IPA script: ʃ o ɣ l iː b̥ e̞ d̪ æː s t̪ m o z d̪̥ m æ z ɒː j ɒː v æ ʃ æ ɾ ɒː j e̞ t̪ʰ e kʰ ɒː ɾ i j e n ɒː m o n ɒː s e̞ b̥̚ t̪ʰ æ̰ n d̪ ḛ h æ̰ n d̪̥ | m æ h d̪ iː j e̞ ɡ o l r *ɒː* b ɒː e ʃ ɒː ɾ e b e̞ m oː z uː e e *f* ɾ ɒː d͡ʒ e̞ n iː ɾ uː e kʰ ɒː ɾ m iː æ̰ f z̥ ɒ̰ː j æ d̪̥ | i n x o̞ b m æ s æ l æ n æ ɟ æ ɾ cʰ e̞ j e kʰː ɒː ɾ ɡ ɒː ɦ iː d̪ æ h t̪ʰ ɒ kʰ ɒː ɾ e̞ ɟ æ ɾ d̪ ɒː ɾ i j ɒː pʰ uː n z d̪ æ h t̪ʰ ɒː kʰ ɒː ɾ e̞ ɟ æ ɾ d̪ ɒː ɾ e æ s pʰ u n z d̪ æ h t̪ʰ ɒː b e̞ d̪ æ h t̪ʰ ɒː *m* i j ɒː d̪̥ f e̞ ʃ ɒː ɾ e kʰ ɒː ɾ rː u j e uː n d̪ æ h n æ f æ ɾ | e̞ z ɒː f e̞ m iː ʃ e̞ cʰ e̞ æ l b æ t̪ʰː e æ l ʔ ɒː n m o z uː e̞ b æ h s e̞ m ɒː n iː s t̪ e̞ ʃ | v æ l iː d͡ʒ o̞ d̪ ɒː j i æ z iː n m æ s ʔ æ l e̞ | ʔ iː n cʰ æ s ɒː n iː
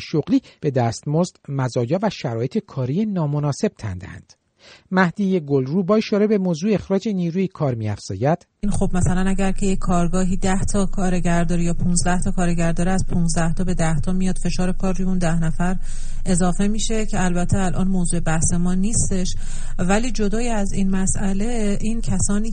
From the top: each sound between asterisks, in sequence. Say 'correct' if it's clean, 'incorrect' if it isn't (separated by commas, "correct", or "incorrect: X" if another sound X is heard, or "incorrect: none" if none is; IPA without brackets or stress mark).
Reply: incorrect: uː, incorrect: x, correct